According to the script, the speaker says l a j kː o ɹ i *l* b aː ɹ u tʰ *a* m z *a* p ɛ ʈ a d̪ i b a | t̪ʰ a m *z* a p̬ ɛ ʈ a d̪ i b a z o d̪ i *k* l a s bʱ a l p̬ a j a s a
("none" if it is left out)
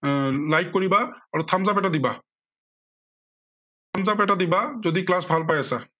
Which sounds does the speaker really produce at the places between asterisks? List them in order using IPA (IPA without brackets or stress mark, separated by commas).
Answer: none, a, a, z, k